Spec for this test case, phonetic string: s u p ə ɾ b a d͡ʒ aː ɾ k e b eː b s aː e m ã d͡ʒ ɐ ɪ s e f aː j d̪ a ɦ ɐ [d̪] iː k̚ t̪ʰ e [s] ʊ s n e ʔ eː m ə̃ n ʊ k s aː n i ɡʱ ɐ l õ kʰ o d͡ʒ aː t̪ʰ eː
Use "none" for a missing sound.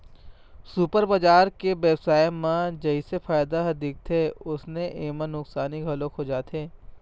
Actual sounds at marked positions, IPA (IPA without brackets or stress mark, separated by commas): d̪, none